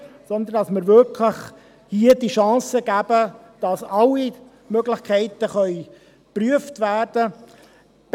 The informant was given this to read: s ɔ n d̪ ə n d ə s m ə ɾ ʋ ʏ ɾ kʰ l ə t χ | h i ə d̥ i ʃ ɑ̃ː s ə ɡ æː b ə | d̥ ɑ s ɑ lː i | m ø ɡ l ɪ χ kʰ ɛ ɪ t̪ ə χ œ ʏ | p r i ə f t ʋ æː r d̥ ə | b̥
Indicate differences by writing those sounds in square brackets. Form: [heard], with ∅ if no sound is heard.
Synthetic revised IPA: s ɔ n d̪ ə n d [ɑ] s m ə ɾ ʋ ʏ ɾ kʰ l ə [∅] χ | h i ə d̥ i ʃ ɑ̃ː s ə ɡ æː b ə | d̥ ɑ s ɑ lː i | m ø ɡ l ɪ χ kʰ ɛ ɪ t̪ ə χ œ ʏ | p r [y] ə f t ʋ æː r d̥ ə | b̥